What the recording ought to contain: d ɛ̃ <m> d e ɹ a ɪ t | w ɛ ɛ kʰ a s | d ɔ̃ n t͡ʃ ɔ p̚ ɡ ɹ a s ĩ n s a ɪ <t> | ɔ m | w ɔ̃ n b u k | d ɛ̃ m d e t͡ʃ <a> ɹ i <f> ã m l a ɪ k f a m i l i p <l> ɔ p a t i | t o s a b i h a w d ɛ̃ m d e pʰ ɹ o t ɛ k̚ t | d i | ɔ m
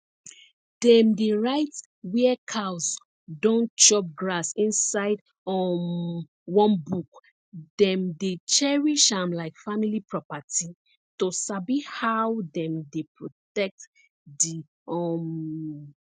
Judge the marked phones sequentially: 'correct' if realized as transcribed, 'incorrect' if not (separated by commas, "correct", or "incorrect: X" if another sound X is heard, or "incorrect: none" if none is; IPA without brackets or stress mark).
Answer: correct, incorrect: d, incorrect: ɛ, incorrect: ʃ, incorrect: ɹ